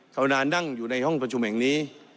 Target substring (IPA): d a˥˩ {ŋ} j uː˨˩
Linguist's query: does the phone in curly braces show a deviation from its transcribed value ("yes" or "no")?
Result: no